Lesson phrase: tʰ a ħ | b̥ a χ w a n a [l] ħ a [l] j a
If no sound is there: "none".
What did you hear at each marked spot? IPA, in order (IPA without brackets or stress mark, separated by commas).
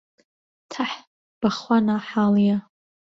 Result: none, l